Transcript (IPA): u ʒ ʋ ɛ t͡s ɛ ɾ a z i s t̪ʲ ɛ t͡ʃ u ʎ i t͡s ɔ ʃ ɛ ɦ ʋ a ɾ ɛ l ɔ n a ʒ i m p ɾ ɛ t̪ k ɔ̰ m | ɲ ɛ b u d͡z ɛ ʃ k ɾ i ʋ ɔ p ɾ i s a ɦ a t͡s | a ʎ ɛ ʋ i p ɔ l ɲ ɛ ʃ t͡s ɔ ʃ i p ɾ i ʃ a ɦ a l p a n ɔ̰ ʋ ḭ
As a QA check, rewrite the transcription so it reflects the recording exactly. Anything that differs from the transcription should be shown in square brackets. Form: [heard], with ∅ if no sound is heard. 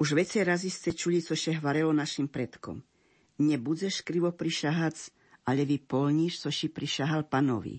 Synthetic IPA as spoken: u ʒ ʋ ɛ t͡s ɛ ɾ a z i s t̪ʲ ɛ t͡ʃ u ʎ i t͡s ɔ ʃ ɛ ɦ ʋ a ɾ ɛ l ɔ n a [ʃ] i m p ɾ ɛ t̪ k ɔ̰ m | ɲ ɛ b u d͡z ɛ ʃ k ɾ i ʋ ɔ p ɾ i [ʃ] a ɦ a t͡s | a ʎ ɛ ʋ i p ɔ l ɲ [i] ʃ t͡s ɔ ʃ i p ɾ i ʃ a ɦ a l p a n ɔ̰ ʋ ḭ